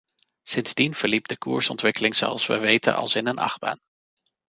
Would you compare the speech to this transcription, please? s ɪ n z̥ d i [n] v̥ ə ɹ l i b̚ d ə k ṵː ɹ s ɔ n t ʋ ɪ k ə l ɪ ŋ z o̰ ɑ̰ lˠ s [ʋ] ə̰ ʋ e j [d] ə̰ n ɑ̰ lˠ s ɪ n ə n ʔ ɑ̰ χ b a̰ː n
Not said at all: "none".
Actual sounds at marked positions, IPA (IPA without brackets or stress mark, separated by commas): n, ʋ, t